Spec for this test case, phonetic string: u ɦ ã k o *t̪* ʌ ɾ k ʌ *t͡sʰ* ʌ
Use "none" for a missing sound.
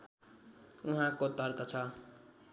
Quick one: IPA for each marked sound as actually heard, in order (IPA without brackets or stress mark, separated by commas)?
t̪, t͡sʰ